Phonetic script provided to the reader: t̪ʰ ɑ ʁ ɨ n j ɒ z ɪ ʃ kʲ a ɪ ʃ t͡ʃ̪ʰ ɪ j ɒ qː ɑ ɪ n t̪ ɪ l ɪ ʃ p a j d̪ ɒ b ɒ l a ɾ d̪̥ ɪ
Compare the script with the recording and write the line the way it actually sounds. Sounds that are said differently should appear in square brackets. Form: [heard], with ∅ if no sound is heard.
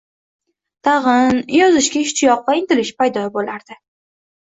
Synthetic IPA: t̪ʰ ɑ ʁ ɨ n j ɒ z ɪ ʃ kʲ a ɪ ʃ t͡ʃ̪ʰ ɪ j ɒ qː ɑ ɪ n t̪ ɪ l ɪ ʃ p a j d̪ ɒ b [o] l a ɾ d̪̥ ɪ